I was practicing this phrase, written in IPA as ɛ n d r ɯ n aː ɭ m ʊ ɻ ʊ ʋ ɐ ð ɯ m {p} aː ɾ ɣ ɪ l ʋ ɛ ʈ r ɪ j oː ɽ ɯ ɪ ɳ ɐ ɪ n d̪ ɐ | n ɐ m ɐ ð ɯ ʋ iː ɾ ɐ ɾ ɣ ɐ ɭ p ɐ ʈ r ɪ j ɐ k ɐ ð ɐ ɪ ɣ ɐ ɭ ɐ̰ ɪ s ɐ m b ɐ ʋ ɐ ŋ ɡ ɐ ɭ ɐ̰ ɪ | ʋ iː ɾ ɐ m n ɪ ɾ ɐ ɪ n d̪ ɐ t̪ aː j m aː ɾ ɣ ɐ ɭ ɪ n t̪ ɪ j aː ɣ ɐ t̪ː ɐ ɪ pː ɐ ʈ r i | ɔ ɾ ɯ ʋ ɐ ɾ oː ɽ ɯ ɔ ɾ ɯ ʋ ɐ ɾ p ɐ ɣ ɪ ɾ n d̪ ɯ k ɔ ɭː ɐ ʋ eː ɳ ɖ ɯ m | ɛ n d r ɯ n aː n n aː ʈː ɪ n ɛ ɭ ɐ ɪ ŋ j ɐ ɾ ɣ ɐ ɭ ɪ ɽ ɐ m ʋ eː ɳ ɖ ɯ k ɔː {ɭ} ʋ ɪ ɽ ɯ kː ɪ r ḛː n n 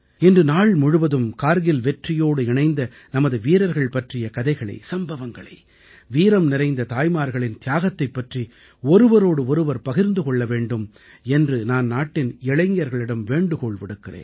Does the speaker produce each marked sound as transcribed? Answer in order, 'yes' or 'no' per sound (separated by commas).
no, yes